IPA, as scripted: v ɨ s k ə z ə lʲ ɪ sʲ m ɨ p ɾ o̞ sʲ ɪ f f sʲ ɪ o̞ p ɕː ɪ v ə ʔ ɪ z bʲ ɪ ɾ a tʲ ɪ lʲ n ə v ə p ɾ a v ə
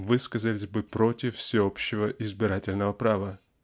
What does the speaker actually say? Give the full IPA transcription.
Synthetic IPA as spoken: v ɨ s k ə z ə lʲ ɪ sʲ b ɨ p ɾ o̞ tʲ ɪ f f sʲ ɪ o̞ p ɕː ɪ v ə ʔ ɪ z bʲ ɪ ɾ a tʲ ɪ lʲ n ə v ə p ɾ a v ə